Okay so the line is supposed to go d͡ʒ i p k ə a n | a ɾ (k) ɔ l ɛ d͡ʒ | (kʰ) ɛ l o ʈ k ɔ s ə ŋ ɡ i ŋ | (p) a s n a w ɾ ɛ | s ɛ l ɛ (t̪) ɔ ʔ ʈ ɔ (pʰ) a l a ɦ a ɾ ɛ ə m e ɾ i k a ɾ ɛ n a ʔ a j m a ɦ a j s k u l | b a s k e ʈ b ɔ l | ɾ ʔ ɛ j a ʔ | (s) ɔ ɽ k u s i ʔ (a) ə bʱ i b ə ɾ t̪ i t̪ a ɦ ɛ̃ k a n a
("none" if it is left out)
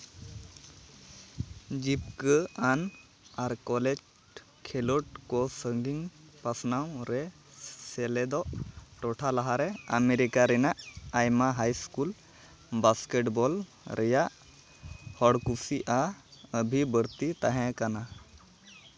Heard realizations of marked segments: k, kʰ, p, d̪, ʈʰ, h, a

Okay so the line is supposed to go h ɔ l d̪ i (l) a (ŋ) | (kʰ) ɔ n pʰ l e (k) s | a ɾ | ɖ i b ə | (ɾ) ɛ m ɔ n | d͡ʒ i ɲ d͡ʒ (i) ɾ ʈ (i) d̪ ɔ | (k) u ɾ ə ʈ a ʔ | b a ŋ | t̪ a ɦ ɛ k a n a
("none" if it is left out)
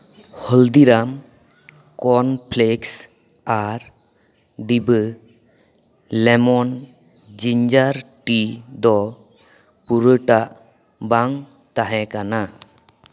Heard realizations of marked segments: ɾ, m, k, k, l, a, i, p

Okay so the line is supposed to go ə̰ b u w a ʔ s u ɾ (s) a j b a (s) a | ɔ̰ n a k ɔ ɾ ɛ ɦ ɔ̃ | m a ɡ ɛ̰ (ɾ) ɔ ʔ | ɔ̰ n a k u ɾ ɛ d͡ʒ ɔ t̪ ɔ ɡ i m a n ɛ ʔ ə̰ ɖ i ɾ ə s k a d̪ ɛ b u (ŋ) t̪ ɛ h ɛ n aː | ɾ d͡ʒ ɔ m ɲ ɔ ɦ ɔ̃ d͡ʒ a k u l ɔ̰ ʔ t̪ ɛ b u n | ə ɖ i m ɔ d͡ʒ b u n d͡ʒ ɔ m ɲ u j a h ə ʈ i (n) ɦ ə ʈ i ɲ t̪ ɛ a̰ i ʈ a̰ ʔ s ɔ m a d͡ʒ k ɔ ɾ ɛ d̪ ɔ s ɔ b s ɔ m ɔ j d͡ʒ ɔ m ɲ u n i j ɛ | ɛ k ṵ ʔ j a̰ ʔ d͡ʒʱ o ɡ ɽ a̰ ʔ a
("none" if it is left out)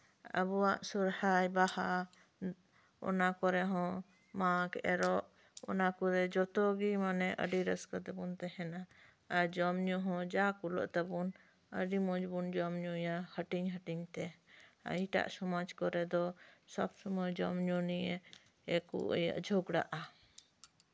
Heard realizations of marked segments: h, h, ɾ, n, ɲ

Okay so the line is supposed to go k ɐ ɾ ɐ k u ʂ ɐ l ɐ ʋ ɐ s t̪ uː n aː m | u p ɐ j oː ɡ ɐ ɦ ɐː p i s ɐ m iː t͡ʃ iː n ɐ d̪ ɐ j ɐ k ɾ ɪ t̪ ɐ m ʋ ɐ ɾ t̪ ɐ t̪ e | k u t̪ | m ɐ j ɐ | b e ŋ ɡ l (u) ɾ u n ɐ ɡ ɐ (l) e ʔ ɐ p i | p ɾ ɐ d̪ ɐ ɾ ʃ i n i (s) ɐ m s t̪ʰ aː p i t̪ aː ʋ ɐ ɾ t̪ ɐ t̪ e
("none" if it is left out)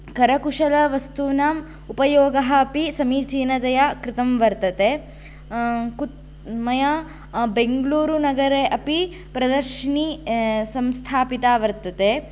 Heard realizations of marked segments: uː, ɾ, s

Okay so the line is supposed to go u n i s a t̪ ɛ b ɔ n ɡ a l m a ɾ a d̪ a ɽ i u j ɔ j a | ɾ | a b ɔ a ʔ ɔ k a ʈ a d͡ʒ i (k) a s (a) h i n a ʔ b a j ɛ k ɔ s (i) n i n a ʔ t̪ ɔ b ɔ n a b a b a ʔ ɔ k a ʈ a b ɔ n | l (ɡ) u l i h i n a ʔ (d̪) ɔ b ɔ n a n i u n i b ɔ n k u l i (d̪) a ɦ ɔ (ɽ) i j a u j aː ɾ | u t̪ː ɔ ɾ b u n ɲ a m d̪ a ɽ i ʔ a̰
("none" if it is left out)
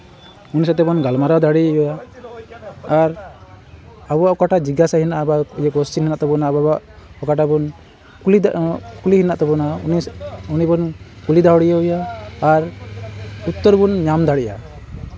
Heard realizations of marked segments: ɡ, a, i, k, t̪, d̪, ɽ

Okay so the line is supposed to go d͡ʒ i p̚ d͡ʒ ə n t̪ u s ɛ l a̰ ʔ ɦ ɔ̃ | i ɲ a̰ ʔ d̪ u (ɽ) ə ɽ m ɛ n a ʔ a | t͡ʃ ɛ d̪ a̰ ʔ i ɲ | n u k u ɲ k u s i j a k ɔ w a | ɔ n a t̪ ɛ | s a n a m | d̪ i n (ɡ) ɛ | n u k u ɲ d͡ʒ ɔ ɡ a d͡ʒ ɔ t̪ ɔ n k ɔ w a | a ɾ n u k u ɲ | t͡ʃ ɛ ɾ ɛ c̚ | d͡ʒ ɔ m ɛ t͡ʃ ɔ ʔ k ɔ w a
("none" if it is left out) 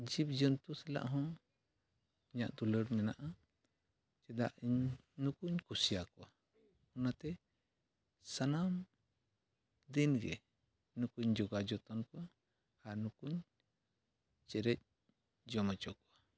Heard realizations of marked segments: l, ɡ

